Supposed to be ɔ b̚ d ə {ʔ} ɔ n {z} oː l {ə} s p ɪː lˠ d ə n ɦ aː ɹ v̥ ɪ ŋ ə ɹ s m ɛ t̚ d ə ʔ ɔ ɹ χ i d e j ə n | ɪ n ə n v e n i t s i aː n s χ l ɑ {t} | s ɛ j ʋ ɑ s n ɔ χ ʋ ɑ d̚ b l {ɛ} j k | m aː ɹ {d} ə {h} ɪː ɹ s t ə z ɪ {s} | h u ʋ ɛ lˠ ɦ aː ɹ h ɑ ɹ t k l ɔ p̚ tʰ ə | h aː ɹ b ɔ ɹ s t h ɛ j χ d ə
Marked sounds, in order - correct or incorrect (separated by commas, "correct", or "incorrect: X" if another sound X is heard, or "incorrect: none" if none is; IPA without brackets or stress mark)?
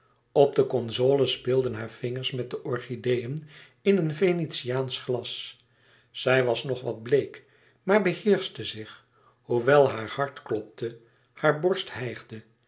incorrect: k, correct, correct, incorrect: s, incorrect: e, incorrect: b, correct, incorrect: χ